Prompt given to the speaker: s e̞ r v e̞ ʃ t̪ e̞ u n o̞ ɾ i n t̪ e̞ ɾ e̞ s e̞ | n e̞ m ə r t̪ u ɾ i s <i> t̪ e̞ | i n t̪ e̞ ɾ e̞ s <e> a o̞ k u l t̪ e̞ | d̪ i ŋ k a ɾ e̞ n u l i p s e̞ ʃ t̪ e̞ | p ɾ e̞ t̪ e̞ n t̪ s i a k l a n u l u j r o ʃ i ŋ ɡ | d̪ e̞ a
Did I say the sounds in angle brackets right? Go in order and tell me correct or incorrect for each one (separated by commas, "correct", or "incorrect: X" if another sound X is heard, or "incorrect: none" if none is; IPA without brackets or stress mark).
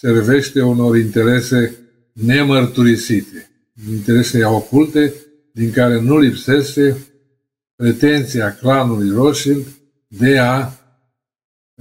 correct, correct